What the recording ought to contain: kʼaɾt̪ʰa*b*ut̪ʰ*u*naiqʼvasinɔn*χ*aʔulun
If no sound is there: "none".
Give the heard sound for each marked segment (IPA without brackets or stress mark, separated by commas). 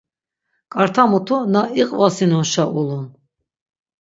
m, u, ʃ